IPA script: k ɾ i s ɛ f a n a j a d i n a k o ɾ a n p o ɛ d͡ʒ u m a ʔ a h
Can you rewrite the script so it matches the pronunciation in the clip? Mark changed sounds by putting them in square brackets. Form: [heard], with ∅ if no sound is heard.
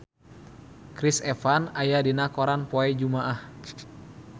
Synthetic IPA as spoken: k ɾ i s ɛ f a n a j a d i n a k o ɾ a n p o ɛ d͡ʒ u m a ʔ a h